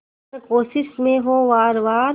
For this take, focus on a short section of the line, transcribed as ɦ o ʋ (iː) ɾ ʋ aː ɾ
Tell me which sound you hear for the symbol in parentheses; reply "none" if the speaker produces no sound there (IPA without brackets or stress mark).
aː